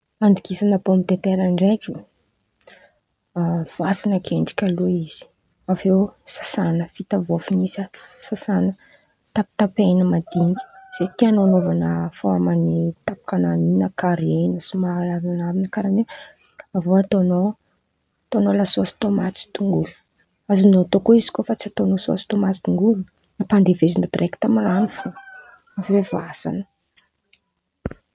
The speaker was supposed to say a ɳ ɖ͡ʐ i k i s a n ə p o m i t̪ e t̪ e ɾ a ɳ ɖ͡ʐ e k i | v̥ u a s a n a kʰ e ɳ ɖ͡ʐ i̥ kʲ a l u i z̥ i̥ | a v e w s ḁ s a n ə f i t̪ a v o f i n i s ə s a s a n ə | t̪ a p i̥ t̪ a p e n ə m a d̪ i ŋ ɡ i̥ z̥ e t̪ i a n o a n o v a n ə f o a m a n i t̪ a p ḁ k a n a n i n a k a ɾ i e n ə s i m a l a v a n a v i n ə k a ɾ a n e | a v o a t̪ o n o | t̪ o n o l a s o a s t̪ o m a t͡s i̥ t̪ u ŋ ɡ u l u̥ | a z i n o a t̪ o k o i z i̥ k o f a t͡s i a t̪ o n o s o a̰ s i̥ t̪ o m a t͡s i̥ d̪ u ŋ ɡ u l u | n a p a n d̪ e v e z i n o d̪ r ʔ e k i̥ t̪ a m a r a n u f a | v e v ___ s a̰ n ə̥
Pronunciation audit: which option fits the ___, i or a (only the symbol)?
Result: a